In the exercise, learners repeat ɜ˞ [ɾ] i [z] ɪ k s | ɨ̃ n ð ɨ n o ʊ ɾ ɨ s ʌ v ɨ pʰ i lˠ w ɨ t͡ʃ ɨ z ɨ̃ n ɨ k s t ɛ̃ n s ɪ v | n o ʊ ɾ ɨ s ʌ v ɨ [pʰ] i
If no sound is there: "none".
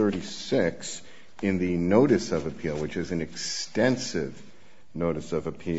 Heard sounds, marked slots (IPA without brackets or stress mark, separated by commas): ɾ, s, pʰ